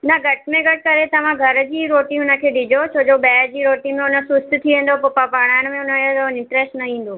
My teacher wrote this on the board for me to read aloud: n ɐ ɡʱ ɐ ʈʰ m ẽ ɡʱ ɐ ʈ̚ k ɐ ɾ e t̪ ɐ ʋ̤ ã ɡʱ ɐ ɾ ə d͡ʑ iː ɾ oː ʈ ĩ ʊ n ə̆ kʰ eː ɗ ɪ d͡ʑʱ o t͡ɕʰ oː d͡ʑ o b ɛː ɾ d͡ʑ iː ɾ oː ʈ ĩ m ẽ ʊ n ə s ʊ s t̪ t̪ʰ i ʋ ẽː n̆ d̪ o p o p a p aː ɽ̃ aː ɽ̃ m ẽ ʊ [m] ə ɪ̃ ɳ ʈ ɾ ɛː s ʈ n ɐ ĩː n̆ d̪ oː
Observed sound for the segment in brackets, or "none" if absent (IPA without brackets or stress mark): n